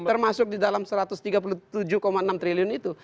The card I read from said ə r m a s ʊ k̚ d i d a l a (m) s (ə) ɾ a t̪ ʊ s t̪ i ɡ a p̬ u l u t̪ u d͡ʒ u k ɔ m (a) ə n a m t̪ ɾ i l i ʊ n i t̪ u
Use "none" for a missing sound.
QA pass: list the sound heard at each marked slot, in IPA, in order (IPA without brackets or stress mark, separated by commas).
m, ə, a